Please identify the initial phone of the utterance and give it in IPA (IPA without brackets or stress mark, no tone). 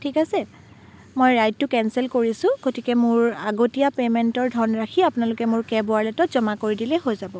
tʰ